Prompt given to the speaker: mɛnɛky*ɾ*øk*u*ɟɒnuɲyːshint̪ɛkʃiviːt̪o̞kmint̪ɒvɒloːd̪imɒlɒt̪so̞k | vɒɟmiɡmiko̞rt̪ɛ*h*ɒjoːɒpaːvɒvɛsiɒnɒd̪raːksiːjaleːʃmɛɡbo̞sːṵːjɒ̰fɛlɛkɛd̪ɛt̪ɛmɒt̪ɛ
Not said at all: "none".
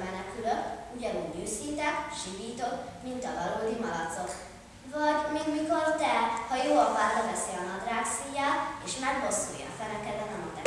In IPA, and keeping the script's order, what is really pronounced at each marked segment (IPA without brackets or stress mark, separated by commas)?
l, u, h